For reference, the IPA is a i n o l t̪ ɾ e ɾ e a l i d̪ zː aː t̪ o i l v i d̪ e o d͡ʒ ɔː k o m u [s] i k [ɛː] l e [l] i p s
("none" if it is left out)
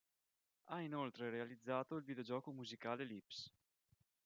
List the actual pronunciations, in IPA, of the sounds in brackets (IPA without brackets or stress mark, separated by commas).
z, aː, l